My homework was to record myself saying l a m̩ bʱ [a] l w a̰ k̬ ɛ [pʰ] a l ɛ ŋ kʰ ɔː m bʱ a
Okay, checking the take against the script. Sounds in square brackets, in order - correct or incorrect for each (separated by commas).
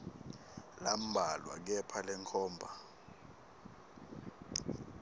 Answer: correct, correct